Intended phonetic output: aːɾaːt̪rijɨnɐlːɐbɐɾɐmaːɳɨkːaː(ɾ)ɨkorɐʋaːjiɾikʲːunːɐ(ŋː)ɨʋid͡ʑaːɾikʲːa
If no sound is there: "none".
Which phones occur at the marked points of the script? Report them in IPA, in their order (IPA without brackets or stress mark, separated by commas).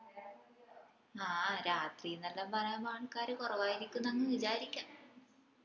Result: ɾ, ŋː